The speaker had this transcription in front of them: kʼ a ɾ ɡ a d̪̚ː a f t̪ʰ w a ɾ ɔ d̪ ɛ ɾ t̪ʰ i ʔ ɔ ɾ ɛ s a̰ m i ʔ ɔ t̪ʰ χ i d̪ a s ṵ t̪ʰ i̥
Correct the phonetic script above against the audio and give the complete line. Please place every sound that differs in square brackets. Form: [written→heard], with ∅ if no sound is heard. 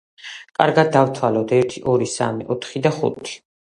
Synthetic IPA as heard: kʼ a ɾ ɡ a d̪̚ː a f t̪ʰ w a [ɾ→l] ɔ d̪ ɛ ɾ t̪ʰ i ʔ ɔ ɾ [ɛ→i] s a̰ m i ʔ ɔ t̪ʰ χ i d̪ a [s→χ] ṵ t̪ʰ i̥